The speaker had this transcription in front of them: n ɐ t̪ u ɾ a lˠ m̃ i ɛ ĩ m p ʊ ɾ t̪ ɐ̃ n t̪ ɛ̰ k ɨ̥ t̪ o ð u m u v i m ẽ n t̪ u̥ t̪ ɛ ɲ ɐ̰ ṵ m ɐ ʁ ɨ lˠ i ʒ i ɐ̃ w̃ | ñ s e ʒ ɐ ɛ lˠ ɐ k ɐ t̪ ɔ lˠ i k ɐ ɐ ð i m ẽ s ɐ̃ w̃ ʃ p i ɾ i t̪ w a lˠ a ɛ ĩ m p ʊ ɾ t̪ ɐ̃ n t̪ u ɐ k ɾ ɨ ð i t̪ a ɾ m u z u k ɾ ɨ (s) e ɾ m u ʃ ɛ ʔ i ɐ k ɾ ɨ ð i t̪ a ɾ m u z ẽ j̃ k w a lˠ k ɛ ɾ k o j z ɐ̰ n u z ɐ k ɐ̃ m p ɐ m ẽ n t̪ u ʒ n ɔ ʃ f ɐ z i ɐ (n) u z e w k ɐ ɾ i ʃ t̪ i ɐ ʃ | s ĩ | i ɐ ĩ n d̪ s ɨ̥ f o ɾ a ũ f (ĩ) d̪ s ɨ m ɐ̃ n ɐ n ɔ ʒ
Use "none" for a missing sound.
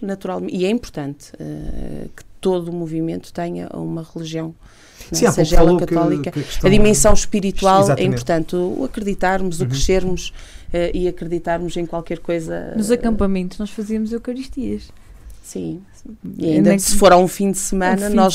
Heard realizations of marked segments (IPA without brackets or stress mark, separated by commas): ʃ, m, ĩ